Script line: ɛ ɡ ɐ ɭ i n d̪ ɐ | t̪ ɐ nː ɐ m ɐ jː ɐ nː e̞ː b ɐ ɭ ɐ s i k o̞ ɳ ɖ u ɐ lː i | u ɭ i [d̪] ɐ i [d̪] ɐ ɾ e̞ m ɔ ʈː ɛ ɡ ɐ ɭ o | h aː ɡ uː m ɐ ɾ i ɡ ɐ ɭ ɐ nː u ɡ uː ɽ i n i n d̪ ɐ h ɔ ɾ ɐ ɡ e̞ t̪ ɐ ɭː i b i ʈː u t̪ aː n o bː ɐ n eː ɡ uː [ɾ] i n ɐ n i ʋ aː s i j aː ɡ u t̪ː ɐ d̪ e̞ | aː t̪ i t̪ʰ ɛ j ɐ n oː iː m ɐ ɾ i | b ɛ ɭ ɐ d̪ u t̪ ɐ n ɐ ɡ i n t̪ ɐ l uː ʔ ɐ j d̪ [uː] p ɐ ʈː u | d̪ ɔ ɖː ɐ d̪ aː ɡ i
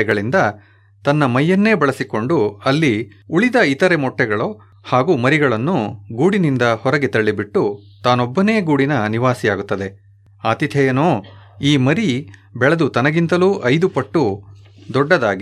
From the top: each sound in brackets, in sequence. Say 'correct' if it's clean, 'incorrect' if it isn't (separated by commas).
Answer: correct, incorrect, incorrect, incorrect